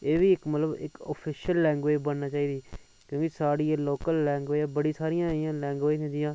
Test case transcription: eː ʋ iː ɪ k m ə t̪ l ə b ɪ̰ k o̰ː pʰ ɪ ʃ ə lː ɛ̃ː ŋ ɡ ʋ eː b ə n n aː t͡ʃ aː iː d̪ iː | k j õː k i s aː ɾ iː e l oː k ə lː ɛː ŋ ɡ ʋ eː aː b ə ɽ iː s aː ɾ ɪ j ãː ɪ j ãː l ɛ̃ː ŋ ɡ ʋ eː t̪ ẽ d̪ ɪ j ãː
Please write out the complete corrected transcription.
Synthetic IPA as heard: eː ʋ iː ɪ k m ə t̪ l ə b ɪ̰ k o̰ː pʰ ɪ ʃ ə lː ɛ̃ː ŋ ɡ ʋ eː b ə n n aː t͡ʃ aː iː d̪ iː | k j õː k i s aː ɽ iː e l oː k ə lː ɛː ŋ ɡ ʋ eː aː b ə ɽ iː s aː ɾ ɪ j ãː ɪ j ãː l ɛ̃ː ŋ ɡ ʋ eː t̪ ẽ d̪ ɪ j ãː